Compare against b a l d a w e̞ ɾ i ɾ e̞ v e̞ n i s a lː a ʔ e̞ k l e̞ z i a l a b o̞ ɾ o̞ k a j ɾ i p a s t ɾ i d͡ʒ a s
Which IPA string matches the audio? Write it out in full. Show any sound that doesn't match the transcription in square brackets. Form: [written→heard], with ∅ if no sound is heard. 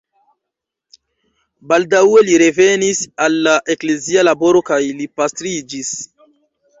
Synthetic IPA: b a l d a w e̞ [ɾ→l] i ɾ e̞ v e̞ n i s a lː a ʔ e̞ k l e̞ z i a l a b o̞ ɾ o̞ k a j [ɾ→l] i p a s t ɾ i d͡ʒ [a→i] s